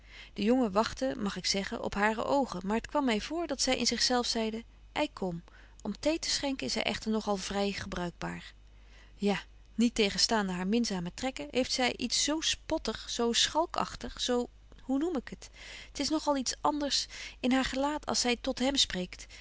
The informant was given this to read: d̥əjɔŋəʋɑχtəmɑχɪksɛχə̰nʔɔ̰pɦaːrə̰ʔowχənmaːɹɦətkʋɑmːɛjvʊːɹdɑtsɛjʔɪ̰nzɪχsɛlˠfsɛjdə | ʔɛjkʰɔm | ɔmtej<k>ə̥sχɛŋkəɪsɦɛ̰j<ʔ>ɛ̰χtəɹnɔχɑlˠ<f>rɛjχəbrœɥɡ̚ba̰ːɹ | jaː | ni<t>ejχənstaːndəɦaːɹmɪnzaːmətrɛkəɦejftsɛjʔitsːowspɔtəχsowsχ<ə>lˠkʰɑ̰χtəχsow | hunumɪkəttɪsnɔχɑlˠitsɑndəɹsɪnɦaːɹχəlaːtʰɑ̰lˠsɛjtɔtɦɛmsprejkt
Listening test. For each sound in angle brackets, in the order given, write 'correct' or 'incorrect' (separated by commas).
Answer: incorrect, correct, incorrect, correct, incorrect